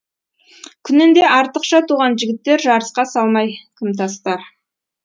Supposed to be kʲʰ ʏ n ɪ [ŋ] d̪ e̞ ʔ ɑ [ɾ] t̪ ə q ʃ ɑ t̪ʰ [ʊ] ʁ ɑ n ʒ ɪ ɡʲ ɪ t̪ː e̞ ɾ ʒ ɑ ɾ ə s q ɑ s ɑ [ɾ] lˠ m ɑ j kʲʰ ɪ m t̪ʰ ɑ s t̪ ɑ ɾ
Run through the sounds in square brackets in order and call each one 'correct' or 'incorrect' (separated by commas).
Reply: incorrect, correct, incorrect, incorrect